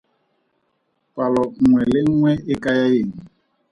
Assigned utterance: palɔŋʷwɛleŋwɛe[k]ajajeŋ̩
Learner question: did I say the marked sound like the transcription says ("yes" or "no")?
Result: yes